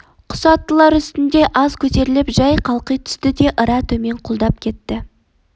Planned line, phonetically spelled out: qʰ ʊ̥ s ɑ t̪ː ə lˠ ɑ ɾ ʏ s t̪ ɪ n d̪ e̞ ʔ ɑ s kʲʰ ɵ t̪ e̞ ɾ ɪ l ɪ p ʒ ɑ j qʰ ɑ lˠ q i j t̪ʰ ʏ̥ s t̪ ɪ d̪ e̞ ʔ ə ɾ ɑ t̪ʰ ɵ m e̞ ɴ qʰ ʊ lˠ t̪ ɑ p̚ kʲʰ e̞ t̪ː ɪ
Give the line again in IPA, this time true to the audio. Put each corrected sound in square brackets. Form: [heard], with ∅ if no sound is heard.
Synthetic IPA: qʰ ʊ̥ s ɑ t̪ː ə lˠ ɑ ɾ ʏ s t̪ ɪ n d̪ e̞ ʔ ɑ [z] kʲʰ ɵ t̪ e̞ ɾ ɪ l ɪ p ʒ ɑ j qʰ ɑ lˠ q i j t̪ʰ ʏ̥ s t̪ ɪ d̪ e̞ ʔ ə ɾ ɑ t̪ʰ ɵ m e̞ ɴ qʰ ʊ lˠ [d̪] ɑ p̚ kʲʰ e̞ t̪ː ɪ

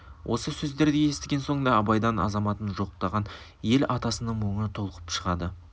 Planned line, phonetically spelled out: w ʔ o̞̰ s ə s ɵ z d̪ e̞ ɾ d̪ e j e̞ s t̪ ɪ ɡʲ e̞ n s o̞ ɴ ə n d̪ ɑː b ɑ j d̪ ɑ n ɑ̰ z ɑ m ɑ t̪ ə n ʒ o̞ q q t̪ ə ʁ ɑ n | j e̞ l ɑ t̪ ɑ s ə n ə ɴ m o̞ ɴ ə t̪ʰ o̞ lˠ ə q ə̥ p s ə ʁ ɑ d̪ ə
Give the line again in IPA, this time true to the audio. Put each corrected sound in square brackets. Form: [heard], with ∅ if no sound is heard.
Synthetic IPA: w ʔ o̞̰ s ə s ɵ z d̪ e̞ ɾ d̪ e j e̞ s t̪ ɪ ɡʲ e̞ n s o̞ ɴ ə n d̪ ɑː b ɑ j d̪ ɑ n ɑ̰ z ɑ m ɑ t̪ ə n ʒ o̞ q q t̪ [ɑ] ʁ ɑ n | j e̞ l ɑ t̪ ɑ s ə n ə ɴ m o̞ ɴ ə t̪ʰ o̞ lˠ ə q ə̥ p [ʃ] ə ʁ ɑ d̪ ə

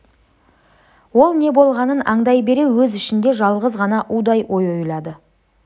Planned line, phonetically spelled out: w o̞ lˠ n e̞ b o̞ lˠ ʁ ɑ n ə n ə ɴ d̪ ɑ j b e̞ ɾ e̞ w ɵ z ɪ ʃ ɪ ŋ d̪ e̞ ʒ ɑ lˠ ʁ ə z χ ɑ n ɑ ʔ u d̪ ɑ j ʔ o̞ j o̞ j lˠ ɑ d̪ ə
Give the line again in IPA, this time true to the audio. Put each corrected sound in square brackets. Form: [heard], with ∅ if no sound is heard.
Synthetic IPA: w o̞ lˠ n e̞ b o̞ lˠ ʁ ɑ n ə n [ɑ] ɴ d̪ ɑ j b e̞ ɾ e̞ w ɵ z ɪ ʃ ɪ [n] d̪ e̞ ʒ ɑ lˠ ʁ ə z [ʁ] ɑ n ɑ ʔ u d̪ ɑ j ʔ o̞ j o̞ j lˠ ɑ d̪ ə

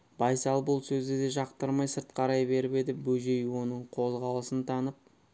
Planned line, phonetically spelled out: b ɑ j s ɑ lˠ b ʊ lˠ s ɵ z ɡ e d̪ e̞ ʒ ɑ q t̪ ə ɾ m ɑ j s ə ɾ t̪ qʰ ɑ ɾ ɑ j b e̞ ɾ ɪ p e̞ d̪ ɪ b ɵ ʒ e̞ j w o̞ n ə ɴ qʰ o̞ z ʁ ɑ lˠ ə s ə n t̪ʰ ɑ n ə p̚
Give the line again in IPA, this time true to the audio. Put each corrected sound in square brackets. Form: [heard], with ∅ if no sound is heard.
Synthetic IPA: b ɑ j s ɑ lˠ b ʊ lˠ s ɵ z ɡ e d̪ e̞ ʒ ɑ q t̪ ə ɾ m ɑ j s ə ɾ t̪ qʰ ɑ ɾ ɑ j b e̞ ɾ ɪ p e̞ d̪ ɪ b ɵ ʒ e̞ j w o̞ n ə ɴ qʰ o̞ z ʁ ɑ lˠ ə s ə n t̪ʰ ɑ n ə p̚

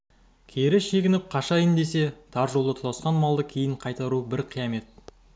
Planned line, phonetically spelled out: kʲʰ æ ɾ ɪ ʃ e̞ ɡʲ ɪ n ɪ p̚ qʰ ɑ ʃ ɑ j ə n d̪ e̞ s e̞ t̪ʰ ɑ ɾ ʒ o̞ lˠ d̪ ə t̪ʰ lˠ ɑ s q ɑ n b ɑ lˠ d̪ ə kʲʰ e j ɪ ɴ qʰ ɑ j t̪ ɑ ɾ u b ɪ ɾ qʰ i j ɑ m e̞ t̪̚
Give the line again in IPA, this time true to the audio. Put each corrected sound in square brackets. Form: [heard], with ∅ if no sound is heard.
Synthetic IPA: kʲʰ [e] ɾ ɪ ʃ e̞ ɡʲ ɪ n ɪ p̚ qʰ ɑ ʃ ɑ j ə n d̪ e̞ s e̞ t̪ʰ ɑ ɾ ʒ o̞ lˠ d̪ ə t̪ʰ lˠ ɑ s q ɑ n [m] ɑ lˠ d̪ ə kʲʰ e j ɪ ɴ qʰ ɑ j t̪ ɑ ɾ u b ɪ ɾ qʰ i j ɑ m e̞ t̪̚

